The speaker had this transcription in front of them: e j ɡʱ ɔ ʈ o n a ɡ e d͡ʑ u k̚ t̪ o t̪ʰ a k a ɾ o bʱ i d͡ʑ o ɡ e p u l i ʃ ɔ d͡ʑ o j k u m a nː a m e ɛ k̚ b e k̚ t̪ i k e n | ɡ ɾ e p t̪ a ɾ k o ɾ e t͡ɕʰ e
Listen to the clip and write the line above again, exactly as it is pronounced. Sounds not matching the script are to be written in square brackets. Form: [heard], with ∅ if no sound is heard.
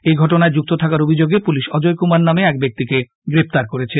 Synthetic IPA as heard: e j ɡʱ ɔ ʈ o n a [∅] e d͡ʑ u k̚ t̪ o t̪ʰ a k a ɾ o bʱ i d͡ʑ o ɡ e p u l i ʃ ɔ d͡ʑ o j k u m a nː a m e ɛ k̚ b e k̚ t̪ i k e [∅] | ɡ ɾ e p t̪ a ɾ k o ɾ e t͡ɕʰ e